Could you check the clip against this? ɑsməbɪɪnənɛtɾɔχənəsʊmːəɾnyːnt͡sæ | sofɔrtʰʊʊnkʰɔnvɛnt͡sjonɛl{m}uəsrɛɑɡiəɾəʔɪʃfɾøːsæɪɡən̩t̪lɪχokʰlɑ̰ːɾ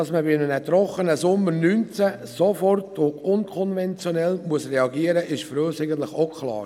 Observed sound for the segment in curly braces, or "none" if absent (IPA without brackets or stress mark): m